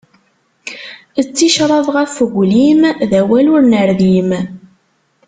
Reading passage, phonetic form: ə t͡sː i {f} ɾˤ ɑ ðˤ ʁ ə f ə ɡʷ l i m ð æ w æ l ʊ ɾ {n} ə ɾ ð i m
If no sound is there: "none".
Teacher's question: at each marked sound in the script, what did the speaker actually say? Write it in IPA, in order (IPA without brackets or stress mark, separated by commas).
ʃ, n